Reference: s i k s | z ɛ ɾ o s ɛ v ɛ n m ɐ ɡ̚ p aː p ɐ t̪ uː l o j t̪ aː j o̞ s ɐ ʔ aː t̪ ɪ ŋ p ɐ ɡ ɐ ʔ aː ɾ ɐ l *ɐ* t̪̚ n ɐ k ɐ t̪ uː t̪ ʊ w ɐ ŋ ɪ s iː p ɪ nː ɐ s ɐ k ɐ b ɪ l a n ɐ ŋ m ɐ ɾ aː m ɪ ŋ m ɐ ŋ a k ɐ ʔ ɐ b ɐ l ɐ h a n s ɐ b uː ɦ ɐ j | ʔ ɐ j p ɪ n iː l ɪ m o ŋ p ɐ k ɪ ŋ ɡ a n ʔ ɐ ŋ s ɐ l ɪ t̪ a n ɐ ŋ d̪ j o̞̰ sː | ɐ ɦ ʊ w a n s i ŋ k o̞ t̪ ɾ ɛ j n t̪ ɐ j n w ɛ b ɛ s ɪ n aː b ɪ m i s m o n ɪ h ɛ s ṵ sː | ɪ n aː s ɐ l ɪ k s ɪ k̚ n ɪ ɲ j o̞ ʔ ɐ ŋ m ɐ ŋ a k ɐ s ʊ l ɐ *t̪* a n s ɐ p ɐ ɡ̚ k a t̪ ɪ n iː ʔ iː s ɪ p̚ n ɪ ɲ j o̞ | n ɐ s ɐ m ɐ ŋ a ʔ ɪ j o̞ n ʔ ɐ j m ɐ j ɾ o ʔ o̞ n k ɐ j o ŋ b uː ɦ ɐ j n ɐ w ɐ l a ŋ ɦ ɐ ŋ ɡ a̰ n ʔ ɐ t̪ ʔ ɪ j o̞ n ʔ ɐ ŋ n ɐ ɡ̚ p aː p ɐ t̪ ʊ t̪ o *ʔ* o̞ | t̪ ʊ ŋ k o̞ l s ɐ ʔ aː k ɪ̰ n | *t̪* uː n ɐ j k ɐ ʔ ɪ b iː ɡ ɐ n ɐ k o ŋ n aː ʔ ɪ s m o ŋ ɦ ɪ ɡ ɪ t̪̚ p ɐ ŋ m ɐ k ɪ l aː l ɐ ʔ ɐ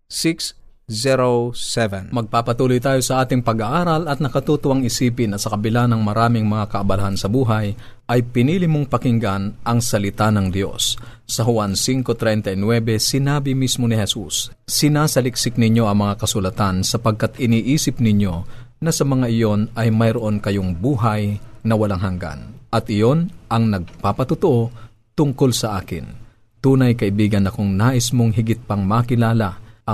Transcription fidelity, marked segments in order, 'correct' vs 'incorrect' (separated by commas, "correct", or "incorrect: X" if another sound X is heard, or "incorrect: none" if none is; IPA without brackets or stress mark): correct, correct, correct, correct